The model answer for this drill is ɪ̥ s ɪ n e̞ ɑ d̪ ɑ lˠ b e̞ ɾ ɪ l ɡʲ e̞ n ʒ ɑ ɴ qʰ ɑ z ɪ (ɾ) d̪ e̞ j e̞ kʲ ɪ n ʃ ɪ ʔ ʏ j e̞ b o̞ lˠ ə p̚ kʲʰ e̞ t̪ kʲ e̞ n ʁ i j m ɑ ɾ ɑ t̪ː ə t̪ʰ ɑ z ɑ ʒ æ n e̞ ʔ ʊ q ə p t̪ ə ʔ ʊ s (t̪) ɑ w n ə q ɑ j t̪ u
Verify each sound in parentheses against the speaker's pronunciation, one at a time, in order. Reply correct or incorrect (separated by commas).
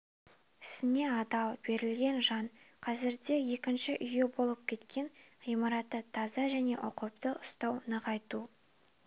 correct, correct